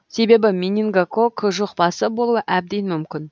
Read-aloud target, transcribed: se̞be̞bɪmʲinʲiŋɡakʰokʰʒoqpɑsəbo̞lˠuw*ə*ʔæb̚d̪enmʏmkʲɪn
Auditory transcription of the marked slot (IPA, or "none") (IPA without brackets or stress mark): ə